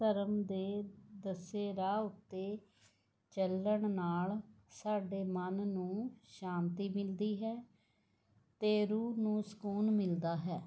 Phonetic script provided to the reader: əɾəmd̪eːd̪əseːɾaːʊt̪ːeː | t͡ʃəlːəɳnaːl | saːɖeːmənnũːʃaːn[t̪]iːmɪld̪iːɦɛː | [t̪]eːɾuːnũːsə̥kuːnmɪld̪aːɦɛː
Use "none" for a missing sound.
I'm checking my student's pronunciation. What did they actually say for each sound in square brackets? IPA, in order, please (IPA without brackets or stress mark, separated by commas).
t̪, t̪